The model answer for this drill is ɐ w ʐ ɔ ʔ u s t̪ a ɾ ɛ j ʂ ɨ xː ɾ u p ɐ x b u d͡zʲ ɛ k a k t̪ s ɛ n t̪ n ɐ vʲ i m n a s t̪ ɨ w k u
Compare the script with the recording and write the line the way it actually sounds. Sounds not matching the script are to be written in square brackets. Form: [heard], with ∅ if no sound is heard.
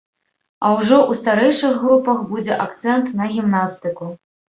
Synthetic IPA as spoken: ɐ w ʐ ɔ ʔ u s t̪ a ɾ ɛ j ʂ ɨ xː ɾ u p ɐ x b u d͡zʲ ɛ [ʔ] a k t̪ s ɛ n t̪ n ɐ [ɣʲ] i m n a s t̪ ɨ [∅] k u